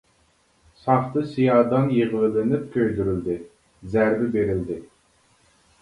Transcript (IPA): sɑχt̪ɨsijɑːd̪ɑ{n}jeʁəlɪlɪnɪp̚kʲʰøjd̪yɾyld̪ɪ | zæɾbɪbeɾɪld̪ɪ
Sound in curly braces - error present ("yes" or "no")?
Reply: no